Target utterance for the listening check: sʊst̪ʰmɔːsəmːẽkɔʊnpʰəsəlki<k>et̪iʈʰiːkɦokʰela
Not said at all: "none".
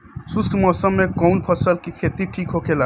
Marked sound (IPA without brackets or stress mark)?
kʰ